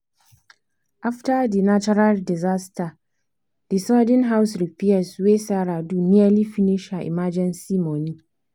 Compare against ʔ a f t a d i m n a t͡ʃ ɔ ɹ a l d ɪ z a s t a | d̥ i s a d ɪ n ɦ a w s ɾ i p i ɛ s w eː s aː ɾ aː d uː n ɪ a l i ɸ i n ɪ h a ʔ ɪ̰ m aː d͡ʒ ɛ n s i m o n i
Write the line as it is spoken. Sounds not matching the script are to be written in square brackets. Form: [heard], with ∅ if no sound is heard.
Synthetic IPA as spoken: ʔ a f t a d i [∅] n a t͡ʃ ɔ [ɾ] a l d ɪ z a s t a | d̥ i s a d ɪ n ɦ a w s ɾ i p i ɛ s w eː s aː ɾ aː d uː n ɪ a l i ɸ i n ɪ [ʃ] a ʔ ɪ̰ m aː d͡ʒ ɛ n s i m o n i